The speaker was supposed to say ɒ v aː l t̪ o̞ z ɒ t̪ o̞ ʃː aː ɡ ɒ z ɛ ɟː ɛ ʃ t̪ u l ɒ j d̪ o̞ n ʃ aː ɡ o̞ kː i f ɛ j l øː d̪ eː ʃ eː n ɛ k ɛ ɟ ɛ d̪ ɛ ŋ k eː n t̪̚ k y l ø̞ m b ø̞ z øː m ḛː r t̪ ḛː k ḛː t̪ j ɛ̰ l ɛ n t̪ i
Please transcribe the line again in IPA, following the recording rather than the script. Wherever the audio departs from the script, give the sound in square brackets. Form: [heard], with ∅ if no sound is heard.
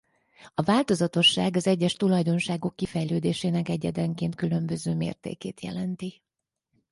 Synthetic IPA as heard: ɒ v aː l t̪ o̞ z ɒ t̪ o̞ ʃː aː ɡ ɒ z ɛ ɟː ɛ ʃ t̪ u l ɒ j d̪ o̞ n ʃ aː ɡ o̞ kː i f ɛ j l øː d̪ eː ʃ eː n ɛ k ɛ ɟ ɛ d̪ ɛ ŋ k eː n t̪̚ k y l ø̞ m b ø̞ z øː m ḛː r t̪ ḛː k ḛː t̪ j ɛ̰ l ɛ n t̪ i